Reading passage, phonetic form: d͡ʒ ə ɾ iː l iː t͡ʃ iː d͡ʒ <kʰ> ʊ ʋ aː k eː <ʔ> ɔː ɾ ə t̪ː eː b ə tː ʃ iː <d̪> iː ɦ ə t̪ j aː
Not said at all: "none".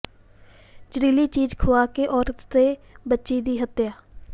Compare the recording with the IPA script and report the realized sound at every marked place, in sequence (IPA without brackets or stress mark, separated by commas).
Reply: kʰ, ʔ, d̪